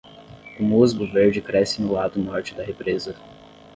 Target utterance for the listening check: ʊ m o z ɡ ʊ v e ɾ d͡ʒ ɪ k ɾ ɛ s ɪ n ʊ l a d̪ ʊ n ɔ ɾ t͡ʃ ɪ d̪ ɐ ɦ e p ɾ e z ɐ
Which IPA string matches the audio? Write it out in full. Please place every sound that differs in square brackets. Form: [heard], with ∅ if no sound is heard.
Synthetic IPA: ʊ m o z ɡ ʊ v e ɾ d͡ʒ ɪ k ɾ ɛ s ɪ n ʊ l a d̪ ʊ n ɔ ɾ t͡ʃ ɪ d̪ ɐ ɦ e p ɾ e z ɐ